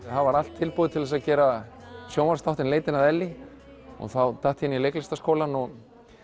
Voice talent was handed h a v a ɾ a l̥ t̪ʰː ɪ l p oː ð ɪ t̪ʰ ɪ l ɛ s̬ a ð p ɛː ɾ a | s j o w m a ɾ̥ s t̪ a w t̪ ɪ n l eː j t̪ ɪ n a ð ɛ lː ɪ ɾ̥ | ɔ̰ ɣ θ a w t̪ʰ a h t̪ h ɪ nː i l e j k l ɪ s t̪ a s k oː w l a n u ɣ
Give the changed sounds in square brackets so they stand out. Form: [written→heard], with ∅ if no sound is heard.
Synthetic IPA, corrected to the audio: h a v a ɾ a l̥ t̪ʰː ɪ l p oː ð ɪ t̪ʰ ɪ l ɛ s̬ a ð [p→c] ɛː ɾ a | s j o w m a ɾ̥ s t̪ a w t̪ ɪ n l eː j t̪ ɪ n a ð ɛ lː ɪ [ɾ̥→∅] | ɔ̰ ɣ θ a w t̪ʰ a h t̪ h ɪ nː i l e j k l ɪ s t̪ a s k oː w l a n [u→ɔ] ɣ